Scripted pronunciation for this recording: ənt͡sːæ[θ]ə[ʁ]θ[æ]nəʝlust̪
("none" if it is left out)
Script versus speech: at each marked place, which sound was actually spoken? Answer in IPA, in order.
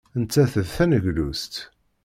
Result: θ, ð, æ

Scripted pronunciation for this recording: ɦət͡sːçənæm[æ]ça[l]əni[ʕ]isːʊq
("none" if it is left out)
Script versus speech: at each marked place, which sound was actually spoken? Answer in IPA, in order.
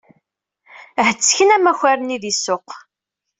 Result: æ, ɾ, ð

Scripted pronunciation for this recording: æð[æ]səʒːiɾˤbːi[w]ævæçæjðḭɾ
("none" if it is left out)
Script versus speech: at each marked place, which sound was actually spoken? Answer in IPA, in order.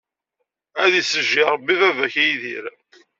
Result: i, v

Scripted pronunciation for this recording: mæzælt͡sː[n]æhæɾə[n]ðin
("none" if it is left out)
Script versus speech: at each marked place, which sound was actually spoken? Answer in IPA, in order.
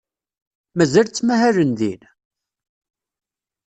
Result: m, n

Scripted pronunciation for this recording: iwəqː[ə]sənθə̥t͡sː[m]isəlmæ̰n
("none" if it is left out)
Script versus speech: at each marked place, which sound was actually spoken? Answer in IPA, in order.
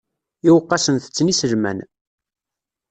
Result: ɑ, n

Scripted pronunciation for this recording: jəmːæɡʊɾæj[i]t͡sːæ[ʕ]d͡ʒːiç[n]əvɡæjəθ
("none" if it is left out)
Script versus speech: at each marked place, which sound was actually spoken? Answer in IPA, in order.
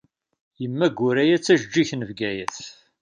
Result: æ, ʒ, n

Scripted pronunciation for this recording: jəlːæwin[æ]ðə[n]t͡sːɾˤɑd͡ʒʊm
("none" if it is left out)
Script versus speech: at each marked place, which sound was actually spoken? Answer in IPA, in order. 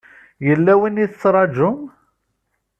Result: i, none

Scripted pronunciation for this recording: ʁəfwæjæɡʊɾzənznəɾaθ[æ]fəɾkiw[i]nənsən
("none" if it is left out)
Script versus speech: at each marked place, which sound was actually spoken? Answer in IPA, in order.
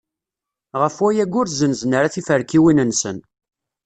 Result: i, i

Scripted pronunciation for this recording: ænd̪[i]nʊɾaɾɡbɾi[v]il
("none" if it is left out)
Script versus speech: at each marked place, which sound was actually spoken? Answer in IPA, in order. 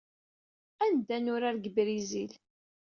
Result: æ, z

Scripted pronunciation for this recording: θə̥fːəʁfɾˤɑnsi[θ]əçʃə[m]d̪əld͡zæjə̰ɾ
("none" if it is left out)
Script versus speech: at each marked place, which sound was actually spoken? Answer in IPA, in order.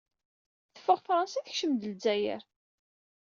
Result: θ, m

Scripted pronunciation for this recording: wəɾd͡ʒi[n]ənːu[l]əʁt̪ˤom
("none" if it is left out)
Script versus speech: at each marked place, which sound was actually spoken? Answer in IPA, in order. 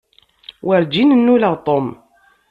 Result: n, l

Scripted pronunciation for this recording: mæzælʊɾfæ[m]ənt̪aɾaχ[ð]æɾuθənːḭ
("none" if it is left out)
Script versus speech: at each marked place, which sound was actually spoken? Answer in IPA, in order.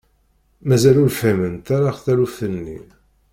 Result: m, θ

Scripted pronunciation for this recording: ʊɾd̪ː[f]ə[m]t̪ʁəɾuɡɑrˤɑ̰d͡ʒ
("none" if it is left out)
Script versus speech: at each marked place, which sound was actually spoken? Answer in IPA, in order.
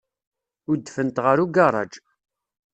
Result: f, n

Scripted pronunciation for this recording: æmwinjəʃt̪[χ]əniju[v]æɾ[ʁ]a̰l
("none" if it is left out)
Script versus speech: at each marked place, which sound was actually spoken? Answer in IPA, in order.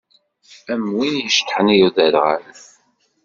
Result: ħ, ð, ʁ

